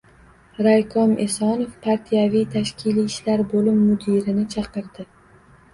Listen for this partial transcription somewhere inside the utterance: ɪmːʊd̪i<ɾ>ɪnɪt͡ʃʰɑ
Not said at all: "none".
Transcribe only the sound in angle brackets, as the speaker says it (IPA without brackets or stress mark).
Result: ɾ